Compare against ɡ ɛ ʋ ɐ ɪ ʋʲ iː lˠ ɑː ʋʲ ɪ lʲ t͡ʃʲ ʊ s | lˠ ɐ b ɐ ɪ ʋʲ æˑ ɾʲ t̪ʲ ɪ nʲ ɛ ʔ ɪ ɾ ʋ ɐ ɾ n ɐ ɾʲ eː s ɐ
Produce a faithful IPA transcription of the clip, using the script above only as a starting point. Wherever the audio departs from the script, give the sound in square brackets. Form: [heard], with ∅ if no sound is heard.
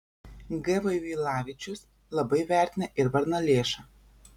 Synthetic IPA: ɡ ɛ ʋ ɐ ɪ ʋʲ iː lˠ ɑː ʋʲ ɪ [∅] t͡ʃʲ ʊ s | lˠ ɐ b ɐ ɪ ʋʲ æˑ ɾʲ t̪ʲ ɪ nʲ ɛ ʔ ɪ ɾ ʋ ɐ ɾ n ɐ [lʲ] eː [ʃ] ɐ